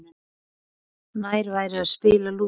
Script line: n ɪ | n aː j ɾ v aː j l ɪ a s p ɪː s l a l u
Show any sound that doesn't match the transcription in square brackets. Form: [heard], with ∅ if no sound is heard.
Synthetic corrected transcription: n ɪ | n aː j ɾ v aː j [ɾ] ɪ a s p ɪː [∅] l a l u